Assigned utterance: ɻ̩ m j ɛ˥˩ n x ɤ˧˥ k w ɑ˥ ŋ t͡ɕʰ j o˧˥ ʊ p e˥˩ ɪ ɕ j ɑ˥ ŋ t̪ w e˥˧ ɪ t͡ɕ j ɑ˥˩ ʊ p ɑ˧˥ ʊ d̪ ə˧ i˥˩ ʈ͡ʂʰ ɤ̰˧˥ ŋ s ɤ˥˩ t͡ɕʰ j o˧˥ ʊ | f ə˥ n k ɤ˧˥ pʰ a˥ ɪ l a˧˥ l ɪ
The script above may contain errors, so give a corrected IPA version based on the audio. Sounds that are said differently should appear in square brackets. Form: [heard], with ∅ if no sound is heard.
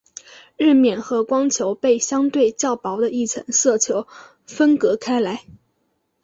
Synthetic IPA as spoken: ɻ̩ m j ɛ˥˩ n x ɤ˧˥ k w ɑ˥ ŋ t͡ɕʰ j o˧˥ ʊ p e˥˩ ɪ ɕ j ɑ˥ ŋ t̪ w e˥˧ ɪ t͡ɕ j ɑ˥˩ ʊ p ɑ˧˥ ʊ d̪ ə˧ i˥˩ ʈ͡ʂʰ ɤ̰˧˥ ŋ s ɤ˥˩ t͡ɕʰ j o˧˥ ʊ | f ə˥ n k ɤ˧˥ [kʰ] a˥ ɪ l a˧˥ [∅] ɪ